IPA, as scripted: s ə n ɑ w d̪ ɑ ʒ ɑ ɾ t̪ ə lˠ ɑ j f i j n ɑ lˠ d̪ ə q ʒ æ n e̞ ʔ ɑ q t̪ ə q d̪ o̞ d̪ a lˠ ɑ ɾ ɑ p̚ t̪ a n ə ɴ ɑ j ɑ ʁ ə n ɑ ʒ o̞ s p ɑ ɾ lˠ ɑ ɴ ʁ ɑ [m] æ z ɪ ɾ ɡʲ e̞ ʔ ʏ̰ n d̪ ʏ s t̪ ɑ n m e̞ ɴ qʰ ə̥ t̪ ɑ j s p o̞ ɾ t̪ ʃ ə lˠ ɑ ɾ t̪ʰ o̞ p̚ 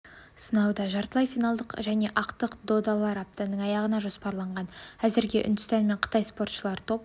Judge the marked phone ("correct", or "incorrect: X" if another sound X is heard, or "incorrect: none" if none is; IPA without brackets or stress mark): incorrect: n